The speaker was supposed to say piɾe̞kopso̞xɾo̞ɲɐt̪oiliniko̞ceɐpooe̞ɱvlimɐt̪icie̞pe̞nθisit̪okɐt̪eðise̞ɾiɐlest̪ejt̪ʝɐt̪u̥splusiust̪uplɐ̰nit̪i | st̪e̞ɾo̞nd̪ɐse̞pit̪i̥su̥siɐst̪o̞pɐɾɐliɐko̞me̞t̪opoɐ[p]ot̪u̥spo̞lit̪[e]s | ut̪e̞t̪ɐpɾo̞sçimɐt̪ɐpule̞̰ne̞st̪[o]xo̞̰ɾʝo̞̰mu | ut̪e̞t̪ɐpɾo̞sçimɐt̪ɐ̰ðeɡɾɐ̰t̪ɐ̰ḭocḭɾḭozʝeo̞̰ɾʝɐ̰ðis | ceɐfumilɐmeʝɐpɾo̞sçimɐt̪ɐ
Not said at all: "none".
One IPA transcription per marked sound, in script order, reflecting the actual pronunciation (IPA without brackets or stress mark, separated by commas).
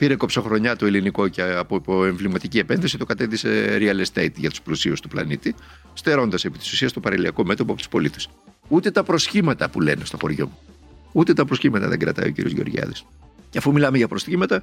p, e, o